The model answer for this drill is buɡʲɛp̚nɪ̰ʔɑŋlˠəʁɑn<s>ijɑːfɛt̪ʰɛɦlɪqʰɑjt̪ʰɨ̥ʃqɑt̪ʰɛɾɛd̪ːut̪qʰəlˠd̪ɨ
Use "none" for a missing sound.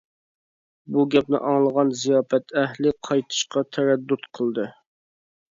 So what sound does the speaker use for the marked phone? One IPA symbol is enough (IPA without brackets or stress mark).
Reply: z